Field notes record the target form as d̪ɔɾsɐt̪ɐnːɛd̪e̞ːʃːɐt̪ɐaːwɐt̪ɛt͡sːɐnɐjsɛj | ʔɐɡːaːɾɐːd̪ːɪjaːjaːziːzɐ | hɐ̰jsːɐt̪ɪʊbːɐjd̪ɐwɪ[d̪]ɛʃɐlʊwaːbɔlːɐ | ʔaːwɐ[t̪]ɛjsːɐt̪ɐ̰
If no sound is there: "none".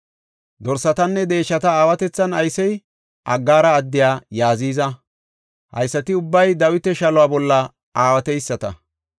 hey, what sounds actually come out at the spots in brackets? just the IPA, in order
t̪, t̪

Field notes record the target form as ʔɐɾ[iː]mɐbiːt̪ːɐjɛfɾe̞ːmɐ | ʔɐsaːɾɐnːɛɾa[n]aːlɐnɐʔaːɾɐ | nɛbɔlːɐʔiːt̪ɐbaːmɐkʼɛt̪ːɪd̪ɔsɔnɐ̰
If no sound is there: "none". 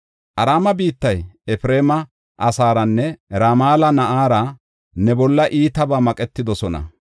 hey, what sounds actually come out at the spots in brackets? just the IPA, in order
aː, m

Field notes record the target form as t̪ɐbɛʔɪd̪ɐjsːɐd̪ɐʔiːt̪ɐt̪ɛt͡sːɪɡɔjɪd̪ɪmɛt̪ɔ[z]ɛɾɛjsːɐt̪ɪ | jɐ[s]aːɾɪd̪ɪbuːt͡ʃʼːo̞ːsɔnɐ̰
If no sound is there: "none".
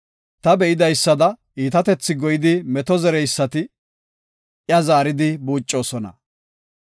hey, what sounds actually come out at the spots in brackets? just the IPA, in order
z, z

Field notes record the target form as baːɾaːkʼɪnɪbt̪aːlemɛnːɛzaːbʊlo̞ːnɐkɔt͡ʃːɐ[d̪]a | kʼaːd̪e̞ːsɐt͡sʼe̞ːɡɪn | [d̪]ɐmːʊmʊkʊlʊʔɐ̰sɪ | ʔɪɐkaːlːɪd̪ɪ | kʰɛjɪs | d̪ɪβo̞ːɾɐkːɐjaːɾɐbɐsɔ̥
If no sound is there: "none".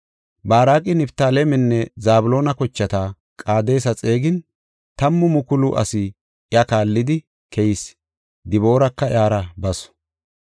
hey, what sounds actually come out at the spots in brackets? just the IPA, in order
t̪, t̪

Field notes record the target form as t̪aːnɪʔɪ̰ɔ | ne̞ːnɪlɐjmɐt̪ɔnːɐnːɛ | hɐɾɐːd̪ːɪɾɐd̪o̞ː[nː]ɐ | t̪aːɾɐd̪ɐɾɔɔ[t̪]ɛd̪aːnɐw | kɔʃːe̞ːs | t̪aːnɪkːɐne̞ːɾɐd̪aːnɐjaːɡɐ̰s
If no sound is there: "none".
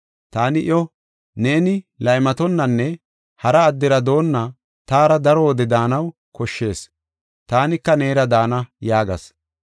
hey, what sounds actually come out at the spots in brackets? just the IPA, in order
nː, d̪

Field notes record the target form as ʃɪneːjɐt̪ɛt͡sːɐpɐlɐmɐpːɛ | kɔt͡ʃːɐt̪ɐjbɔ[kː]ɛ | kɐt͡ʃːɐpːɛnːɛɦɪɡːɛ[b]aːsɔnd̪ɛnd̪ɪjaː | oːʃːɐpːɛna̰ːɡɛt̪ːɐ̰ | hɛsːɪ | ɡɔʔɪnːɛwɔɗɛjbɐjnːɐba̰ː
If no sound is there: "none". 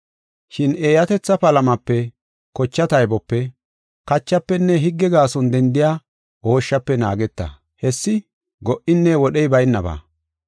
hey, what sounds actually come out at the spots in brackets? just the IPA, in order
pː, ɡ

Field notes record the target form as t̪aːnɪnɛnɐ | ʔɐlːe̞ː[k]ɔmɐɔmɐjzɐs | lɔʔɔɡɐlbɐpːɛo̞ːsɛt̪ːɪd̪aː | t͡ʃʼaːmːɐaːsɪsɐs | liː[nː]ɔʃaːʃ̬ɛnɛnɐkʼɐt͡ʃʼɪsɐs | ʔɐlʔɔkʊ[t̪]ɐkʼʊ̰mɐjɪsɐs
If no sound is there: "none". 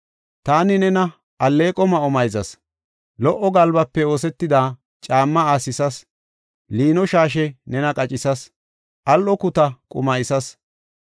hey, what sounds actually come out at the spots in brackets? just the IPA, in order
kʼ, n, t̪

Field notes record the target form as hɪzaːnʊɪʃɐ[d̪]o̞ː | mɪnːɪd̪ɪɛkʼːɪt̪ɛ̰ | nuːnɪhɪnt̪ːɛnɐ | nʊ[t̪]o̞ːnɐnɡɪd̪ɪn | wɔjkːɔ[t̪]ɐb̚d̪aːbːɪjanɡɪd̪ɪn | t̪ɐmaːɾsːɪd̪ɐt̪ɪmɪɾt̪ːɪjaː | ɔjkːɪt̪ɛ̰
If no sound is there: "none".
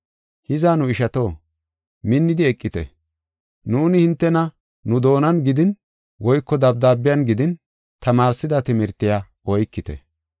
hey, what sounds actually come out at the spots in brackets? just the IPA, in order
t̪, d̪, d̪

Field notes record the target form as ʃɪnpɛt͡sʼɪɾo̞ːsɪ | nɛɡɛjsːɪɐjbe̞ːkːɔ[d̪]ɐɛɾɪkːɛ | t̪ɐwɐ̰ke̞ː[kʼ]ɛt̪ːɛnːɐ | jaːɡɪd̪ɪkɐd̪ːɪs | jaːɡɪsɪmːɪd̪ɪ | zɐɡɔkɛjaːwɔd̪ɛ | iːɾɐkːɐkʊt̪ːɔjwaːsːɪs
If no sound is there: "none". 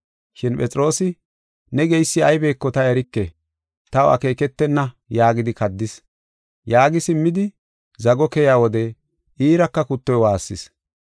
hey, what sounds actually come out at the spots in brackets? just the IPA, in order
t̪, k

